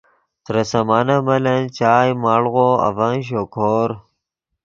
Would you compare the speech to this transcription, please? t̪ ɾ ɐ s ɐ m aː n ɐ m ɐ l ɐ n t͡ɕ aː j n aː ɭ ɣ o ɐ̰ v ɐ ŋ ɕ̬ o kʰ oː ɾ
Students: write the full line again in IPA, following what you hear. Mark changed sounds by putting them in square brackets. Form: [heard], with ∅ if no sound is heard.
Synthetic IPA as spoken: t̪ ɾ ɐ s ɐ m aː n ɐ m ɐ l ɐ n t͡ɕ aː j [m] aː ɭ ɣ o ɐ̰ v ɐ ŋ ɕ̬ o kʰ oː ɾ